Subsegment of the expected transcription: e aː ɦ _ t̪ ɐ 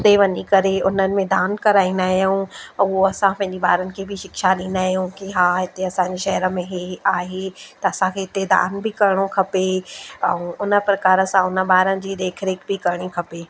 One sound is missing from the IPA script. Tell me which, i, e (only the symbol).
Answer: e